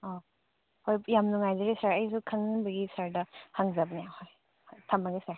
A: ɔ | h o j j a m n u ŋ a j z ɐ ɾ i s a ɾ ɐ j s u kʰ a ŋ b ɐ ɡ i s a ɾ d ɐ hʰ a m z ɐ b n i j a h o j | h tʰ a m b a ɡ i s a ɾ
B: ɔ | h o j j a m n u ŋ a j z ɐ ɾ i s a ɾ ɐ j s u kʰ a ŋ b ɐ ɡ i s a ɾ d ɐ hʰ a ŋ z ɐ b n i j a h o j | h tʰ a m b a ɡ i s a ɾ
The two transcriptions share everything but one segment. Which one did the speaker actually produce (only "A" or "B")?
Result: B